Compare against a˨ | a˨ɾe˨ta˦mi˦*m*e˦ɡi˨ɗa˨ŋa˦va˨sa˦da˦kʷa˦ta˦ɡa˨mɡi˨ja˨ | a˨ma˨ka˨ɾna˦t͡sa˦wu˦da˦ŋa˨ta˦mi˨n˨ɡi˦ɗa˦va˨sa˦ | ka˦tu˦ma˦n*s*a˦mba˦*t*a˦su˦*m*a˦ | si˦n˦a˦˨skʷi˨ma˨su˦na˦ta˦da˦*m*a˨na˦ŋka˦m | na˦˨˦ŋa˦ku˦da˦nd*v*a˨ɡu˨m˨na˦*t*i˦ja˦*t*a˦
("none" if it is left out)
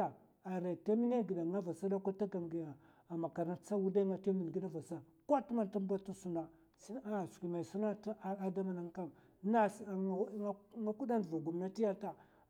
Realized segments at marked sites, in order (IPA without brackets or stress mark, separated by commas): n, t, t, n, m, v, t, t